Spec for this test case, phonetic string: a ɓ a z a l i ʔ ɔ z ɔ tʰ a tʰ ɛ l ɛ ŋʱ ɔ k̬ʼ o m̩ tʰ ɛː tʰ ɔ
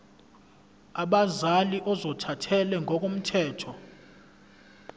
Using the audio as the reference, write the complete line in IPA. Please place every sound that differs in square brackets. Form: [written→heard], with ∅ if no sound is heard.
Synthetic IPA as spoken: a ɓ a z a l i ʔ ɔ z ɔ tʰ a tʰ ɛ l ɛ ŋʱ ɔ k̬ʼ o m̩ tʰ ɛː tʰ ɔ